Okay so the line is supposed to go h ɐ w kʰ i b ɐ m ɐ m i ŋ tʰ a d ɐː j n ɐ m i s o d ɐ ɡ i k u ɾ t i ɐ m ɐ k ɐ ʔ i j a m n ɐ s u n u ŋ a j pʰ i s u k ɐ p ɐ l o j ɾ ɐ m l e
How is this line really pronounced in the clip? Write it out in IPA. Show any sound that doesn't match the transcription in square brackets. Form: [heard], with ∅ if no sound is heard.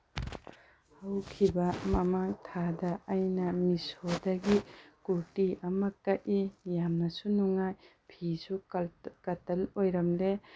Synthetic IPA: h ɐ w kʰ i b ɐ m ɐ m [a] ŋ tʰ a d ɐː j n ɐ m i s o d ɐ ɡ i k u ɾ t i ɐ m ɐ k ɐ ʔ i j a m n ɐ s u n u ŋ a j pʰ i s u k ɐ [t] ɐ l o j ɾ ɐ m l e